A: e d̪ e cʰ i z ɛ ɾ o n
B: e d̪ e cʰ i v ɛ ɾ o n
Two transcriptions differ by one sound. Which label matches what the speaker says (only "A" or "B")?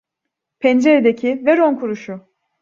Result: B